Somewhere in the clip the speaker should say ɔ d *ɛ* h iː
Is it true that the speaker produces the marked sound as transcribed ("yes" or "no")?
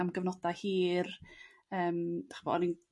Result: no